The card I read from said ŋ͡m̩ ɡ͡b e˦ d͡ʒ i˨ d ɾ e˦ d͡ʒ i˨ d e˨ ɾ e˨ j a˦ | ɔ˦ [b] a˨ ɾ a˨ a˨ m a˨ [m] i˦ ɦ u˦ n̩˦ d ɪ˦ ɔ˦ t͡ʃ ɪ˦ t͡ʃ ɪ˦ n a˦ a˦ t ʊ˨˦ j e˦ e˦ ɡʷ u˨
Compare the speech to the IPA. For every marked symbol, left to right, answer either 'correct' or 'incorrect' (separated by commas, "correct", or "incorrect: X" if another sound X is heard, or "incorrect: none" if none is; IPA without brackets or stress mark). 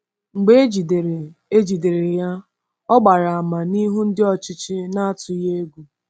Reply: incorrect: ɡ͡b, incorrect: n